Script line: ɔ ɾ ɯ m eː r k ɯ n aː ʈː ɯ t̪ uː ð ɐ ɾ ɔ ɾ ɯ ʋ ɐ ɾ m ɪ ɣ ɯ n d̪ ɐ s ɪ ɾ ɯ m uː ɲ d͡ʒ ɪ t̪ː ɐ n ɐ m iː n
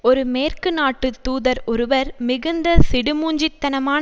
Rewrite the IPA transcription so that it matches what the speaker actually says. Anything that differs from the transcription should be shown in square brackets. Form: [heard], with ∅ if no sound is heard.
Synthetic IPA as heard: ɔ ɾ ɯ m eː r k ɯ n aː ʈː ɯ t̪ uː ð ɐ ɾ ɔ ɾ ɯ ʋ ɐ ɾ m ɪ ɣ ɯ n d̪ ɐ s ɪ [ɽ] ɯ m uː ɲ d͡ʒ ɪ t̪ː ɐ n ɐ m [aː] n